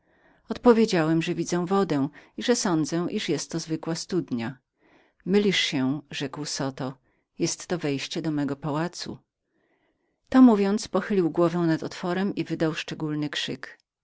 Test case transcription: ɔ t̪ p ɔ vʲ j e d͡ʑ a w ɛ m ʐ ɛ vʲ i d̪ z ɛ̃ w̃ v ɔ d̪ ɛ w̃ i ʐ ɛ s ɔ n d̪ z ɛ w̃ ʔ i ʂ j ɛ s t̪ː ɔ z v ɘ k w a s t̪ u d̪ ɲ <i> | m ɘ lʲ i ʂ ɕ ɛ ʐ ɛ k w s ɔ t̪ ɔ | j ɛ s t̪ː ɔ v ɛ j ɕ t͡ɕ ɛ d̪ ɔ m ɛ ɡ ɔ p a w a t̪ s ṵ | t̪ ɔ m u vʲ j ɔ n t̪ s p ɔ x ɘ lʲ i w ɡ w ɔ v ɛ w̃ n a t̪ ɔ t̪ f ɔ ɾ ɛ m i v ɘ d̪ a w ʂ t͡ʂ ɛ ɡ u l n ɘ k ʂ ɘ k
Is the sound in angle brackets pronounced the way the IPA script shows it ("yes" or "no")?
no